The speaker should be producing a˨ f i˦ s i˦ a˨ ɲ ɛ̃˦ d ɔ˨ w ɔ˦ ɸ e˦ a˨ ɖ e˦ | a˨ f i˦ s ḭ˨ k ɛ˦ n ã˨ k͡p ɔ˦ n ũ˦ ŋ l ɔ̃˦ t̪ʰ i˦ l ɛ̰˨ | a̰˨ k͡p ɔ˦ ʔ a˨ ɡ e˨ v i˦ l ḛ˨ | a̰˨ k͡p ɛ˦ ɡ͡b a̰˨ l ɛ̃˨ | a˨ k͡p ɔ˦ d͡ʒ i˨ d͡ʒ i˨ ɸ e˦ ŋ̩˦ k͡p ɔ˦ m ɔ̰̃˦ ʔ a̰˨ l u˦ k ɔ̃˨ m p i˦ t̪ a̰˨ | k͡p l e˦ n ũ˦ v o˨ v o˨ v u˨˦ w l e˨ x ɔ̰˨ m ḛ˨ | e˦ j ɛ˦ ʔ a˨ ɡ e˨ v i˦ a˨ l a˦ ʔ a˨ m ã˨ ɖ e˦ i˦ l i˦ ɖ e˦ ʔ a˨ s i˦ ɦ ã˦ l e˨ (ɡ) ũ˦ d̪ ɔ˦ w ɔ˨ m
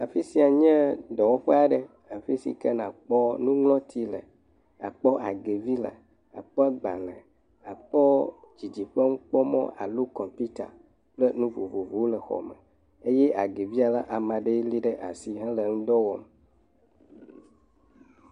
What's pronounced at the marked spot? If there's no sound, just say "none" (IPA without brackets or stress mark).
ŋ